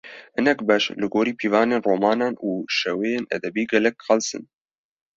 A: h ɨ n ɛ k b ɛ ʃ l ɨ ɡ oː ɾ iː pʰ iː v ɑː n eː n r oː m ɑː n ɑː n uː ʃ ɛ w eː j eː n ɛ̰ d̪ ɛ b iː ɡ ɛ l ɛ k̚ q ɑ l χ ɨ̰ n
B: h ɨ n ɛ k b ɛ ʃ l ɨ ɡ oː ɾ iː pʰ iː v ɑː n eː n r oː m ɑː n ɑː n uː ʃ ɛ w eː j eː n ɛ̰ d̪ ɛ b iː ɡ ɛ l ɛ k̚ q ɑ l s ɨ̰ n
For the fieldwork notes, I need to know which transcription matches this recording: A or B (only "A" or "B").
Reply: B